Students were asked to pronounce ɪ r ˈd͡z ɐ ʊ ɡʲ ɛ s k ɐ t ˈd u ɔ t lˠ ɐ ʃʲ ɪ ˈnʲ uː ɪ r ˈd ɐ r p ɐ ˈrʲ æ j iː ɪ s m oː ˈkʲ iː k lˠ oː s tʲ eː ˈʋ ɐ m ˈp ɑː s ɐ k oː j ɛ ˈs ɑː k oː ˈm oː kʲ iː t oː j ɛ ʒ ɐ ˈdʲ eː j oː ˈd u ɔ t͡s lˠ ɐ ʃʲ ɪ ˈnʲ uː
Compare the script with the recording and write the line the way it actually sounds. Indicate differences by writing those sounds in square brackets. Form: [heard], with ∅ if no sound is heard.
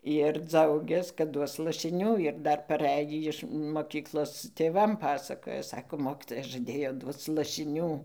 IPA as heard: ɪ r ˈd͡z ɐ ʊ ɡʲ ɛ s k ɐ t ˈd u ɔ [s] lˠ ɐ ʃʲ ɪ ˈnʲ uː ɪ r ˈd ɐ r p ɐ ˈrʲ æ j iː ɪ [ʃ] m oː ˈkʲ iː k lˠ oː s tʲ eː ˈʋ ɐ m ˈp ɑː s ɐ k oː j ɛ ˈs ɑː k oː ˈm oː kʲ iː t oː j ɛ ʒ ɐ ˈdʲ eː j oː ˈd u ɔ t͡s lˠ ɐ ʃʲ ɪ ˈnʲ uː

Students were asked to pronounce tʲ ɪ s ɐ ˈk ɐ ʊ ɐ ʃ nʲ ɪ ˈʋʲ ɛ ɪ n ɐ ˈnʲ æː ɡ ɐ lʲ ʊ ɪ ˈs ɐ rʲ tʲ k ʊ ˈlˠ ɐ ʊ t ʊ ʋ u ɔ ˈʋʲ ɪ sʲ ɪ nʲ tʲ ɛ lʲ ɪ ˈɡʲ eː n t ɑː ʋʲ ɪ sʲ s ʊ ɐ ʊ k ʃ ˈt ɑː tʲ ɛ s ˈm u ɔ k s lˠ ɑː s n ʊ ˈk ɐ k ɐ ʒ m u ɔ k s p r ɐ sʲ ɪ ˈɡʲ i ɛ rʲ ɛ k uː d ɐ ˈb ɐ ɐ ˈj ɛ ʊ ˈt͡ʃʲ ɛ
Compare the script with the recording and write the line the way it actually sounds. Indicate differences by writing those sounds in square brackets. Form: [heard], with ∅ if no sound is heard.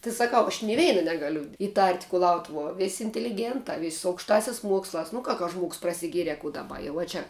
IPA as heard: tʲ ɪ s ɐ ˈk ɐ ʊ ɐ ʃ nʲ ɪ ˈʋʲ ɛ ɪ n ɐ ˈnʲ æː ɡ ɐ lʲ ʊ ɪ [ˈt] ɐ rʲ tʲ k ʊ ˈlˠ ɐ ʊ t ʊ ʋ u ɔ ˈʋʲ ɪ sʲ ɪ nʲ tʲ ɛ lʲ ɪ ˈɡʲ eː n t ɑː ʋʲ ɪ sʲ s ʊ ɐ ʊ k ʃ ˈt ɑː [sʲ] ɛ s ˈm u ɔ k s lˠ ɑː s n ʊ ˈk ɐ k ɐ ʒ m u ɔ k s p r ɐ sʲ ɪ ˈɡʲ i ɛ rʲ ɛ k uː d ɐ ˈb ɐ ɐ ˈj ɛ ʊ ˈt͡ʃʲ ɛ

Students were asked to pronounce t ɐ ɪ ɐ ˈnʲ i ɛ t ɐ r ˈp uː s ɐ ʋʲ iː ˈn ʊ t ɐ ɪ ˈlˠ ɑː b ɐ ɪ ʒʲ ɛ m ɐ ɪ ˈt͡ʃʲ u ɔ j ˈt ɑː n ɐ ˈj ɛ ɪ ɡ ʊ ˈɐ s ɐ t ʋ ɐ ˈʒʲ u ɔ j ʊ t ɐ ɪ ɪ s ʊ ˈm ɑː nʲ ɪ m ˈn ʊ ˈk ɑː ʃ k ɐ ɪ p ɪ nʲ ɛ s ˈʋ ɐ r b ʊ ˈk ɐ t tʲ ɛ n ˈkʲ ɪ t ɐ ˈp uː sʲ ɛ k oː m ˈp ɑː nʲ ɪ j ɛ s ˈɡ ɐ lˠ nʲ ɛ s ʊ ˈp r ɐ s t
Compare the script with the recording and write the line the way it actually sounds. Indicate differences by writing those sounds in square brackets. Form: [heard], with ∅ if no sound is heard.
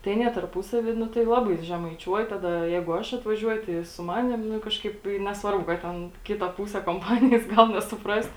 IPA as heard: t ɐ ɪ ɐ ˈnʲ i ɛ t ɐ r ˈp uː s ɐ ʋʲ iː ˈn ʊ t ɐ ɪ ˈlˠ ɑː b ɐ ɪ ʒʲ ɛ m ɐ ɪ ˈt͡ʃʲ u ɔ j ˈt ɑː [d] ɐ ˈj ɛ ɪ ɡ ʊ ˈɐ [ʃ] ɐ t ʋ ɐ ˈʒʲ u ɔ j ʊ t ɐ ɪ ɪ s ʊ ˈm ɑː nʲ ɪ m ˈn ʊ ˈk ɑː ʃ k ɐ ɪ p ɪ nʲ ɛ s ˈʋ ɐ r b ʊ ˈk ɐ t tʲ ɛ n ˈkʲ ɪ t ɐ ˈp uː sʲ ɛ k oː m ˈp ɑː nʲ ɪ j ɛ s ˈɡ ɐ lˠ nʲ ɛ s ʊ ˈp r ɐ s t

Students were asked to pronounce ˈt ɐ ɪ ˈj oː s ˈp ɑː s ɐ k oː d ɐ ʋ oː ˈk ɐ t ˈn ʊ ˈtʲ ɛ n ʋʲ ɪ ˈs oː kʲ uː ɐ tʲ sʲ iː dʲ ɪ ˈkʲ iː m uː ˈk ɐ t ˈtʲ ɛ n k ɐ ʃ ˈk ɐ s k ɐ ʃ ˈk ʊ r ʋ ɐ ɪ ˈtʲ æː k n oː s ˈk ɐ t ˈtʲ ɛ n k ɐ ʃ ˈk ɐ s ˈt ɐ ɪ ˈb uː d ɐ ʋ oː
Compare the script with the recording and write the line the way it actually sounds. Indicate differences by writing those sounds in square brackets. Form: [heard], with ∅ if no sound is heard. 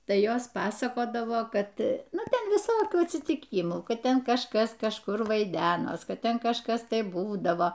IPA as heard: ˈt ɐ ɪ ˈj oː s ˈp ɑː s ɐ k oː d ɐ ʋ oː ˈk ɐ t ˈn ʊ ˈtʲ ɛ n ʋʲ ɪ ˈs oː kʲ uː ɐ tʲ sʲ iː [tʲ] ɪ ˈkʲ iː m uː ˈk ɐ t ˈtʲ ɛ n k ɐ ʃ ˈk ɐ s k ɐ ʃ ˈk ʊ r ʋ ɐ ɪ [ˈdʲ] æː [∅] n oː s ˈk ɐ t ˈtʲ ɛ n k ɐ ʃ ˈk ɐ s ˈt ɐ ɪ ˈb uː d ɐ ʋ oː

